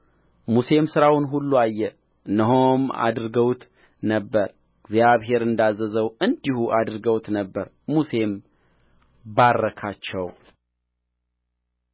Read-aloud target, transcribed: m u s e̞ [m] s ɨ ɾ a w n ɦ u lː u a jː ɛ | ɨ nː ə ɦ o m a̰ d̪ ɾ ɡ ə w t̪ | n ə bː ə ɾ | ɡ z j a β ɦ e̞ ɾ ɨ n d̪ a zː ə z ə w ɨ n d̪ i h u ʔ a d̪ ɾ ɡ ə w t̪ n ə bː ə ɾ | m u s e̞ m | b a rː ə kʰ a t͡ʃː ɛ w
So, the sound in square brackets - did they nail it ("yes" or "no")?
yes